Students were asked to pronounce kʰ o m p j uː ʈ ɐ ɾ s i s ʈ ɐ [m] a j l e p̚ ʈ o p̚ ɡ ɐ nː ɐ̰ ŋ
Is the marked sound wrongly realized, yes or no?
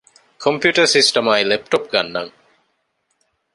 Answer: no